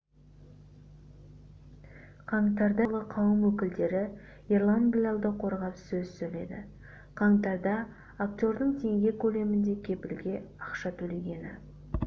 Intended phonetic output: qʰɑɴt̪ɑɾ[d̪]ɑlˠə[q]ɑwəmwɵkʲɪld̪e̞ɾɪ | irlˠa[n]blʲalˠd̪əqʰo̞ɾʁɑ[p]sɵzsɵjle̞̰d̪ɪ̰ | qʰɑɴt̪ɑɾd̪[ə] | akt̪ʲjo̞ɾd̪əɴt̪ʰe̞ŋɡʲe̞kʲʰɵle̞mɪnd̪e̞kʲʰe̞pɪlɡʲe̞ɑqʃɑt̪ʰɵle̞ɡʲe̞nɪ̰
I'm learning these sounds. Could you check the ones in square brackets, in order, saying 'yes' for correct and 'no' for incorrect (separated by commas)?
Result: yes, no, yes, yes, no